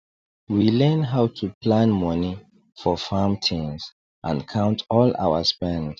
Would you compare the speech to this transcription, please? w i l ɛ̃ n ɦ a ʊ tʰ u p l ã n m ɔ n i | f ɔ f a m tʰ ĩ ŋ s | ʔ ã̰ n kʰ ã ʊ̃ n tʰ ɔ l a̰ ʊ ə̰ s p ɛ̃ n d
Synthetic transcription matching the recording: w i l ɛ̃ n ɦ a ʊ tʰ u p l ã n m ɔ n i | f ɔ f a m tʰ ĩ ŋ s | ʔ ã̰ n kʰ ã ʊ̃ n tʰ ɔ l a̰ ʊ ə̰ s p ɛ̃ n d